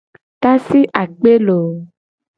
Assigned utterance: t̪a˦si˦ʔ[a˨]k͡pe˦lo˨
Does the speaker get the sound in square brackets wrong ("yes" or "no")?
no